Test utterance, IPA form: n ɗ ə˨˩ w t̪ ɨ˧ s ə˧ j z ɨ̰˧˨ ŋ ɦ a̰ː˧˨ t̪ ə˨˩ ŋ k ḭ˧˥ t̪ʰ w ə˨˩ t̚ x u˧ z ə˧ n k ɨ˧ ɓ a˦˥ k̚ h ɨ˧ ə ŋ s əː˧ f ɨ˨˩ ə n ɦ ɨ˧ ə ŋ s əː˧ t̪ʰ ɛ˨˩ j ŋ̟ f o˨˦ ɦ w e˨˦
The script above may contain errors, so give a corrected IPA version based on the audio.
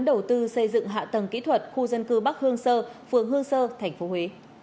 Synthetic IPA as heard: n ɗ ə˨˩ w t̪ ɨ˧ s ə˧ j z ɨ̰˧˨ ŋ ɦ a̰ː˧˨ t̪ ə˨˩ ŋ k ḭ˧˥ t̪ʰ w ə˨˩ t̚ x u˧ z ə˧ n k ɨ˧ ɓ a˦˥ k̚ h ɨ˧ ə ŋ s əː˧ f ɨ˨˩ ə ŋ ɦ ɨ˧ ə ŋ s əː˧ t̪ʰ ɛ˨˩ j ŋ̟ f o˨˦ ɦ w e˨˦